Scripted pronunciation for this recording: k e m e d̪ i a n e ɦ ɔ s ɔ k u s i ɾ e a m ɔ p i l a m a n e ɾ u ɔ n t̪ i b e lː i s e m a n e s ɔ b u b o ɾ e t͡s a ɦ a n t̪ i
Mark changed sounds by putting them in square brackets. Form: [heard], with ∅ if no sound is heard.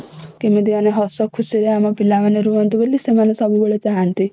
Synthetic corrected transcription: k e m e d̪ i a n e ɦ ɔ s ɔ [kʰ] u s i ɾ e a m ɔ p i l a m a n e ɾ u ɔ n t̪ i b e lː i s e m a n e s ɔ b u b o [ɭ] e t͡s a ɦ a n t̪ i